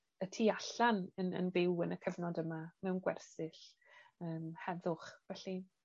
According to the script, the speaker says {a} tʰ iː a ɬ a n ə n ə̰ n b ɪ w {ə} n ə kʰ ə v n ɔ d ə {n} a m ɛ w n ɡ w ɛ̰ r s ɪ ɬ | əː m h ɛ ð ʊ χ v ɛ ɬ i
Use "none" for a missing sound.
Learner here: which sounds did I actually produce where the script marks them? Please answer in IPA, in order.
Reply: ə, ə, m

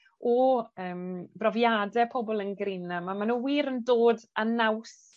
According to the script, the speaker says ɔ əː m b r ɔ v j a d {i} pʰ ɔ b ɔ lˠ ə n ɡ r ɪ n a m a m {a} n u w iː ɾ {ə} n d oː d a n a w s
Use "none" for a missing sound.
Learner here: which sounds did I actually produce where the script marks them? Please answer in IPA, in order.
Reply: ɛ, a, ə

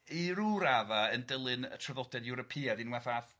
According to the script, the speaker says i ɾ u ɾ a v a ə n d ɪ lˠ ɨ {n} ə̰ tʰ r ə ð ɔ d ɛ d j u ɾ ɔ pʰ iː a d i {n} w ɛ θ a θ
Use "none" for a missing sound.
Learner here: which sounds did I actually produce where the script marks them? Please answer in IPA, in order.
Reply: n, n

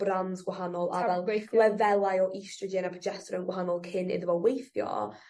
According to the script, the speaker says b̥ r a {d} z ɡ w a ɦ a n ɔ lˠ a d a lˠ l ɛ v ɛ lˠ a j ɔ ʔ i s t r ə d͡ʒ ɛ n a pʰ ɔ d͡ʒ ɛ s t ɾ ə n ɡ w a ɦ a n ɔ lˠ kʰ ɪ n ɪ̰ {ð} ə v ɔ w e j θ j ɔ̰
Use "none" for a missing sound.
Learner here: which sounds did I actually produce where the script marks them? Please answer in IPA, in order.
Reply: n, ð

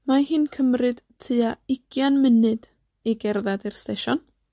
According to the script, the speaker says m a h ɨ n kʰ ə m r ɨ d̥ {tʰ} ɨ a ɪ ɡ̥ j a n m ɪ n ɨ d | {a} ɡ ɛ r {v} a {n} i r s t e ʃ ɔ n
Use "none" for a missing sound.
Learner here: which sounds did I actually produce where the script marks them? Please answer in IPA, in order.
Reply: tʰ, i, ð, d

